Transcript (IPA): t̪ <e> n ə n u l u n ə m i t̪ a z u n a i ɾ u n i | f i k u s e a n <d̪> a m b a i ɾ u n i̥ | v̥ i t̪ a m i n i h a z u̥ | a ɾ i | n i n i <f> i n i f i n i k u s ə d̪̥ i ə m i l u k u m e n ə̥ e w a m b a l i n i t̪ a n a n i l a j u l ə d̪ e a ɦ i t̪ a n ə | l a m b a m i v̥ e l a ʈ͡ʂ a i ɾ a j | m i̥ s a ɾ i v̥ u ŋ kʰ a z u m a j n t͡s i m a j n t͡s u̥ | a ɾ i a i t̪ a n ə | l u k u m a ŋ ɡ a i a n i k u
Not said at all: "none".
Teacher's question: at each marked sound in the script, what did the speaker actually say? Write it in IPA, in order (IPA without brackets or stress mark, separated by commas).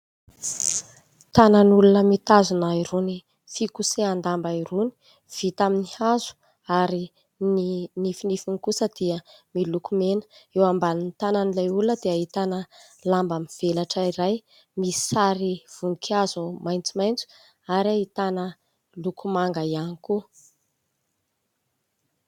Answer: a, d̪, f